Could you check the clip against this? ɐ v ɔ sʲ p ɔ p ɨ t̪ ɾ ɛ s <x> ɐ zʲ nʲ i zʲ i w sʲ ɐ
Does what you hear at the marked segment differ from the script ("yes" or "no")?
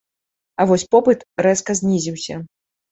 yes